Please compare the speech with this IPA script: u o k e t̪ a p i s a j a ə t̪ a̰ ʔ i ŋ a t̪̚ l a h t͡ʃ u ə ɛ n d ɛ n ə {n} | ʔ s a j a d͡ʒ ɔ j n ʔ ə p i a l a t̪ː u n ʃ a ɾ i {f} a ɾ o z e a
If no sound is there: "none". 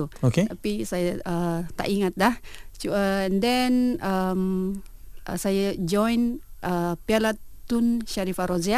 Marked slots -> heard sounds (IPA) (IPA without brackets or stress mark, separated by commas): m, f